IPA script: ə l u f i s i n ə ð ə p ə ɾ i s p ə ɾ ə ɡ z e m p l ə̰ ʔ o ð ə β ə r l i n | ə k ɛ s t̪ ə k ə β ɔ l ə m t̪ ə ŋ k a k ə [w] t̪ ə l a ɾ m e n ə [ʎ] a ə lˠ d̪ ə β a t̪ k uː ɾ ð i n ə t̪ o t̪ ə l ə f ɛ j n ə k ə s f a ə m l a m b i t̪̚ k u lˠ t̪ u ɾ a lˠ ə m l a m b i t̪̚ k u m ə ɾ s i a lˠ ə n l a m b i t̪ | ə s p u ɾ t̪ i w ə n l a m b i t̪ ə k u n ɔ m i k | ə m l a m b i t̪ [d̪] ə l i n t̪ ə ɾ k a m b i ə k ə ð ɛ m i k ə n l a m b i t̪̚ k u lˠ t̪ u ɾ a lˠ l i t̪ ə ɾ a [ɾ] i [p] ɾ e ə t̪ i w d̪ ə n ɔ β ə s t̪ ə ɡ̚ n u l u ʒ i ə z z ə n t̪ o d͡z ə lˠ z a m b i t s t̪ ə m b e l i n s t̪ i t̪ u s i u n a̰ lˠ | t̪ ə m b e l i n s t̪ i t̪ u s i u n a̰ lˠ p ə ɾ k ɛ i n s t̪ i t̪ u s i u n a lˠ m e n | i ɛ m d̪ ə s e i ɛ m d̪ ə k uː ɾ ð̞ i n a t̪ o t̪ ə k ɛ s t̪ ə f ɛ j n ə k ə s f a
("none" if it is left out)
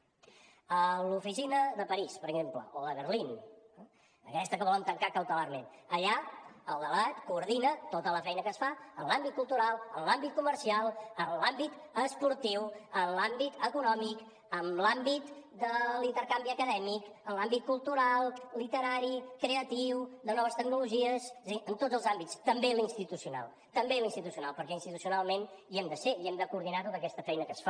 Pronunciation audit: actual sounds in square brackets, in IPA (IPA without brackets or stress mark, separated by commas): w, ʎ, d̪, ɾ, k